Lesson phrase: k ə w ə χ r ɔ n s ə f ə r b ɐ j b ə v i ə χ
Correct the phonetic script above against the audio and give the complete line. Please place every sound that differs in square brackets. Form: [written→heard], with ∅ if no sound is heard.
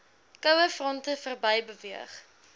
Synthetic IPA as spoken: k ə w ə [χ→f] r ɔ n [s→t] ə f ə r b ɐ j b ə v i ə χ